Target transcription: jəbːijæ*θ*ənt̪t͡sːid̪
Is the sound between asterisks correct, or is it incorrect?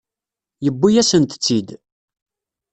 incorrect